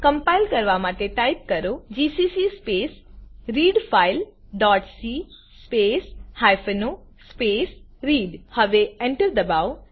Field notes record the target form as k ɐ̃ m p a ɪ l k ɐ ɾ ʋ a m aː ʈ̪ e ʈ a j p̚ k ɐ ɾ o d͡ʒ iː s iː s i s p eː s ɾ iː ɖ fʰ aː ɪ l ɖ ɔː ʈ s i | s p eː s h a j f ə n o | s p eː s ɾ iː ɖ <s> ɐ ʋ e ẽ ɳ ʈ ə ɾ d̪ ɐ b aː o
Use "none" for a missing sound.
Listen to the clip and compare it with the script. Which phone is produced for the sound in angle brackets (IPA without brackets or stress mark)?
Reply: h